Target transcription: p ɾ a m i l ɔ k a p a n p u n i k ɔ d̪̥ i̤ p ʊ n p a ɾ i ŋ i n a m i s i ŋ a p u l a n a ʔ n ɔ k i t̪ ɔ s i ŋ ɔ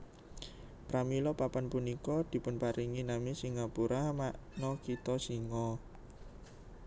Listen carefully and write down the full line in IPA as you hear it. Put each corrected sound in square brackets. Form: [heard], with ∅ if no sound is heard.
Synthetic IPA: p ɾ a m i l ɔ [p] a p a n p u n i k ɔ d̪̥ i̤ p ʊ n p a ɾ i ŋ i n a m i s i ŋ a p u [ɾ] a [m] a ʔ n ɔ k i t̪ ɔ s i ŋ ɔ

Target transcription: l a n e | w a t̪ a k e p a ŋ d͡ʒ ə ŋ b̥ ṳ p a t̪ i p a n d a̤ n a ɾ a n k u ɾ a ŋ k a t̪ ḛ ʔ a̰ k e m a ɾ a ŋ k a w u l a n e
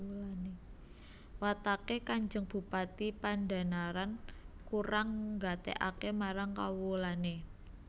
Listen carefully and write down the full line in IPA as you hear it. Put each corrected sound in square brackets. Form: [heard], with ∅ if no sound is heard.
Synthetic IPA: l a n e | w a t̪ a k e [k] a [ɲ] d͡ʒ ə ŋ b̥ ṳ p a t̪ i p a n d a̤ n a ɾ a n k u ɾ a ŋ [ɡ] a t̪ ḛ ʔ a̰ k e m a ɾ a ŋ k a w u l a n e

